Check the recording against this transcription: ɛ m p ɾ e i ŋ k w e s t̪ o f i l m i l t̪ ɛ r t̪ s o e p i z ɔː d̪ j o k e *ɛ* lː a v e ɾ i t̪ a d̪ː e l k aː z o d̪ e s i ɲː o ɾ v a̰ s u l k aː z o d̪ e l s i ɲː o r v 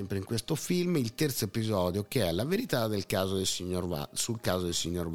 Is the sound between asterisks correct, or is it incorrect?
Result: correct